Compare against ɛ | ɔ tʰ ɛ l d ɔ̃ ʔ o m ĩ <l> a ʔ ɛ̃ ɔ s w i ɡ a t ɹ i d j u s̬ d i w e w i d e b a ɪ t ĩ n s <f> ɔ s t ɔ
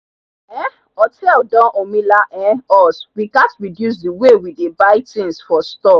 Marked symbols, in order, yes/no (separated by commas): yes, yes